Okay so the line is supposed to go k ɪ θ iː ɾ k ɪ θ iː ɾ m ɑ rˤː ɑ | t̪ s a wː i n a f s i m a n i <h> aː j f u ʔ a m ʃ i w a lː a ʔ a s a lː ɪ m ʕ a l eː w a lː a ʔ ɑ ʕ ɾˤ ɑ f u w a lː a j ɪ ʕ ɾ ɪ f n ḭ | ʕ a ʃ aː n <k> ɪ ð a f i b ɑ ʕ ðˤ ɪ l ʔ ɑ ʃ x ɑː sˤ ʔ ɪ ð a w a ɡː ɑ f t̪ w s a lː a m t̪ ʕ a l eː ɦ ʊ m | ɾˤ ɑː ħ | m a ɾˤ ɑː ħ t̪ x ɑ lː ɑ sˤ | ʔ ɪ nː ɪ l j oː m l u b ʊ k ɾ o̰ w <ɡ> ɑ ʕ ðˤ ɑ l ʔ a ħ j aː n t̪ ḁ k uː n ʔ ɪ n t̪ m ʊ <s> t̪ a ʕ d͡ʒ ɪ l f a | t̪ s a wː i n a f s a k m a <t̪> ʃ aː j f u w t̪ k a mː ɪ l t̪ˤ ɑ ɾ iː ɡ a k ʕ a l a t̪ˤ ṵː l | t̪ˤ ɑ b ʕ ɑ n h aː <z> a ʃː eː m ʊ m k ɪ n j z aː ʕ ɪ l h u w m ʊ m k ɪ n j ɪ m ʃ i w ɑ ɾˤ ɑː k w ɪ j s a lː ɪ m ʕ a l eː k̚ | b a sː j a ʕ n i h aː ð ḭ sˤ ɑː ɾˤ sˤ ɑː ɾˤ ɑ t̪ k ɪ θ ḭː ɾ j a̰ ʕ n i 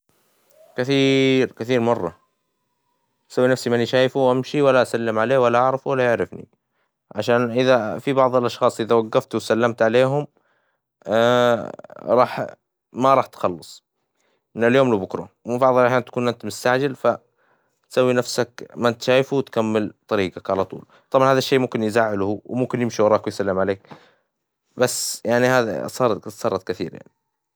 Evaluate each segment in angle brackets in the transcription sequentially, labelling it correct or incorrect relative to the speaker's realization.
incorrect: ʃ, incorrect: ʔ, incorrect: b, correct, correct, incorrect: ð

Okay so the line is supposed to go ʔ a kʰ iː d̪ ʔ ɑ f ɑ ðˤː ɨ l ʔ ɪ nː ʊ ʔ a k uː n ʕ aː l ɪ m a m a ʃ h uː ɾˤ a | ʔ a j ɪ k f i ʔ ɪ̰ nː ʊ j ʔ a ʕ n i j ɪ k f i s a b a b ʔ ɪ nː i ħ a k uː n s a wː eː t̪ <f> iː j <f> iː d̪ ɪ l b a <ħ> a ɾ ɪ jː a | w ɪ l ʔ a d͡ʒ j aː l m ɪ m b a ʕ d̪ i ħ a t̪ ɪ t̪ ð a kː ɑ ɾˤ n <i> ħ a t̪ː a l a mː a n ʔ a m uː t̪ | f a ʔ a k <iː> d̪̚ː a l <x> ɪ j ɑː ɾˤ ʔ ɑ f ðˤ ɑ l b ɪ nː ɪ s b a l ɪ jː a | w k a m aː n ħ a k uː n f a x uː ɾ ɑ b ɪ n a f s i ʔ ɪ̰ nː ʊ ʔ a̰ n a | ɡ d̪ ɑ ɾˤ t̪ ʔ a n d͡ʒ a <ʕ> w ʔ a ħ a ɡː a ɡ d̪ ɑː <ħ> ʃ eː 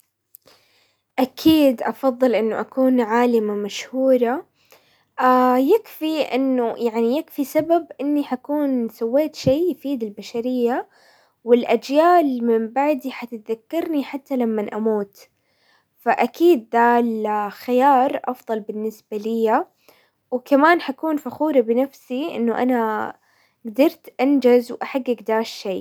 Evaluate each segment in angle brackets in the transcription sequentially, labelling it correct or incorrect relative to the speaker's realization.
incorrect: ʃ, correct, incorrect: ʃ, correct, correct, correct, incorrect: z, incorrect: ʃ

